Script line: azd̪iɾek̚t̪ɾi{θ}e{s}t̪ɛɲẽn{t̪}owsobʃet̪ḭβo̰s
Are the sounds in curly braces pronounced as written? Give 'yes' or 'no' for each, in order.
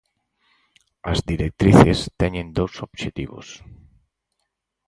yes, yes, no

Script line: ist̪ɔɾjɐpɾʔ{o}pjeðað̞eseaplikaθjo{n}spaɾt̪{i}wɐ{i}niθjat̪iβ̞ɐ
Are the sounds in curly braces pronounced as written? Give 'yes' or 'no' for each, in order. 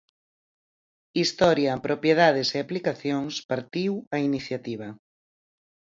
yes, no, yes, yes

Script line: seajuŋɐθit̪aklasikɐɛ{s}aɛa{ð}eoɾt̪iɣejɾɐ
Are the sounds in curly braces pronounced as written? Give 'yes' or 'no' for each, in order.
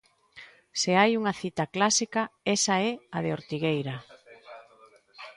yes, yes

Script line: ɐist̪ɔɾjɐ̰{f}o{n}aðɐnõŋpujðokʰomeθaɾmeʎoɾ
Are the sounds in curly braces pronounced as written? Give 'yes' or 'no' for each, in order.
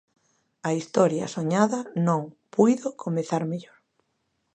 no, no

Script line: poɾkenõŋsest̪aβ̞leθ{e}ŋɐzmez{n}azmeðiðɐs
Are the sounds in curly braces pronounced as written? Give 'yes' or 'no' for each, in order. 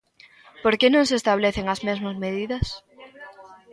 yes, no

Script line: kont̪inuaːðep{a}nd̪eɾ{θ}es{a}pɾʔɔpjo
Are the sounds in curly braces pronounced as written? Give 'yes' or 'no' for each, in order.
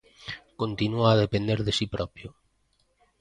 no, no, no

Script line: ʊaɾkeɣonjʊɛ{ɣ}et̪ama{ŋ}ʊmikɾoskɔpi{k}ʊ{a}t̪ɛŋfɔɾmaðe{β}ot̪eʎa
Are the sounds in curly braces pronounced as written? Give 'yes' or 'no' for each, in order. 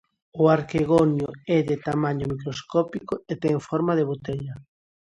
no, no, yes, no, yes

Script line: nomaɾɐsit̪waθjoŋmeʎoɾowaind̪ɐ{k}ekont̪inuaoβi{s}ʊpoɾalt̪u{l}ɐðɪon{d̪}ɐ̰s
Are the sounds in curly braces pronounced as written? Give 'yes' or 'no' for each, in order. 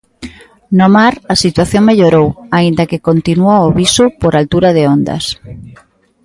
yes, yes, no, yes

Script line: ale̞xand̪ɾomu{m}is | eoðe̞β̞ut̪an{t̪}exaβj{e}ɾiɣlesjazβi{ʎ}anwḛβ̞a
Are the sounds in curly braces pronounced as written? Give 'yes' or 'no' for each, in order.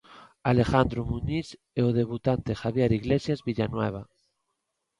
no, yes, yes, yes

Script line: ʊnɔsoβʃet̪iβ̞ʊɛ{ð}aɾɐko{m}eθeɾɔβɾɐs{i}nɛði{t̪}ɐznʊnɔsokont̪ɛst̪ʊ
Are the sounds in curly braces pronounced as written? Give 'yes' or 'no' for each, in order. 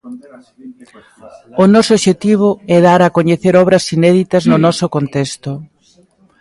yes, no, yes, yes

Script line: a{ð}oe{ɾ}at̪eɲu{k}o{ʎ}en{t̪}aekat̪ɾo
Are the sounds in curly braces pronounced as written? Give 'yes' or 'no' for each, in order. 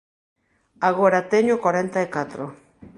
no, yes, yes, no, yes

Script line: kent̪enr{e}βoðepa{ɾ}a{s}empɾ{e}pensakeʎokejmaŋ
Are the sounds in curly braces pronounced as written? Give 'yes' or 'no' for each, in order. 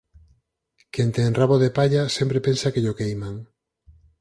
no, no, yes, yes

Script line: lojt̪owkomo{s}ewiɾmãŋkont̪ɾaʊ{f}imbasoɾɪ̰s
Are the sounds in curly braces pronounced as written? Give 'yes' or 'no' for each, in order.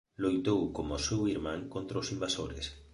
yes, no

